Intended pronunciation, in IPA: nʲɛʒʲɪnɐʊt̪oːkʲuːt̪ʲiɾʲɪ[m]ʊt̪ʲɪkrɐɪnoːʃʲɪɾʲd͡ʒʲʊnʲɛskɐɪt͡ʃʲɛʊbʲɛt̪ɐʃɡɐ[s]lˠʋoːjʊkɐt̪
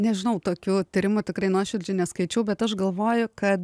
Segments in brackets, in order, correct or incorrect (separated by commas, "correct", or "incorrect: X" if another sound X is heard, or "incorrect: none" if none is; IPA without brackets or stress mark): correct, incorrect: none